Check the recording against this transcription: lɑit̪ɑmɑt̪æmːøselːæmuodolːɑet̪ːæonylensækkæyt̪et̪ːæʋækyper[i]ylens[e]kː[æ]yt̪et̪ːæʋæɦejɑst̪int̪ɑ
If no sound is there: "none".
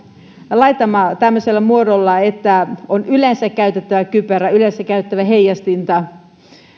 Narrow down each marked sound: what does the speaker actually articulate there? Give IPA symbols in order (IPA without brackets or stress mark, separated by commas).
æ, æ, æ